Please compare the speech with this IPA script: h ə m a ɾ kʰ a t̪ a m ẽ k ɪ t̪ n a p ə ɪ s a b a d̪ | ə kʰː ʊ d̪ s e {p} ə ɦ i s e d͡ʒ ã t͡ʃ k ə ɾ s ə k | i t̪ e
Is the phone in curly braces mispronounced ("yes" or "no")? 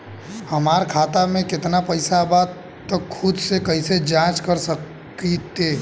yes